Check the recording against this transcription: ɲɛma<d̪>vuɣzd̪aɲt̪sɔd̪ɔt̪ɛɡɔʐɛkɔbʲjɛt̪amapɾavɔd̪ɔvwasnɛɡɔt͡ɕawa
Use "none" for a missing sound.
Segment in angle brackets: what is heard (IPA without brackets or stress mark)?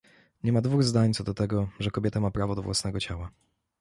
d̪